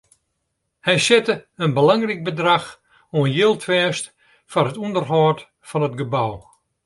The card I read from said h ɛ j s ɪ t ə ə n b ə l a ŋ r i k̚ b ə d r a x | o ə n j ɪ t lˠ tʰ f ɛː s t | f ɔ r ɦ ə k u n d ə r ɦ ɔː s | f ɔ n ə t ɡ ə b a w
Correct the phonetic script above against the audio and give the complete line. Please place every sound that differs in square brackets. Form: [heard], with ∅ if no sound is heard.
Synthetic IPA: h ɛ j s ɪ t ə ə n b ə l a ŋ r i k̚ b ə d r a x | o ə n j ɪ [∅] lˠ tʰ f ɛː s t | f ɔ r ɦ ə [t] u n d ə r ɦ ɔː [t] | f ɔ n ə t ɡ ə b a w